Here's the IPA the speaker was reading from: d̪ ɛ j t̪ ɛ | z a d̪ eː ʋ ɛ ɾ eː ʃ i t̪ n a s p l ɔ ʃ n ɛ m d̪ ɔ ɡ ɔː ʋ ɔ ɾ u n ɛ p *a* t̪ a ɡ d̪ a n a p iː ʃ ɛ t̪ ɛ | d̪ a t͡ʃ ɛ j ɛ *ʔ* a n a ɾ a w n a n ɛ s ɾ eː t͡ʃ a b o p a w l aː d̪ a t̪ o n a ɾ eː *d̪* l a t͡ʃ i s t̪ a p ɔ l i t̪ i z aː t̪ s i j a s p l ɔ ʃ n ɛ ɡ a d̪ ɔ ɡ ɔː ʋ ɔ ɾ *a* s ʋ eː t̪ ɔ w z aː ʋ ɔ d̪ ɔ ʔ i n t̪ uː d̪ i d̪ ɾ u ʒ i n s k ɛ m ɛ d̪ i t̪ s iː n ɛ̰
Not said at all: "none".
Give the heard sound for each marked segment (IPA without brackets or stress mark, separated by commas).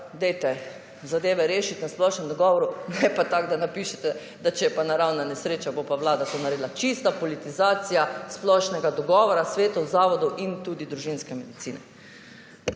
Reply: a, p, d̪, a